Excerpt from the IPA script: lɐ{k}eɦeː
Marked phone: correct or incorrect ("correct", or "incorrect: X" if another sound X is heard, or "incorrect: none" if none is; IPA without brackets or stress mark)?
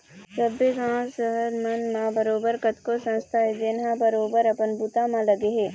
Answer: incorrect: ɡ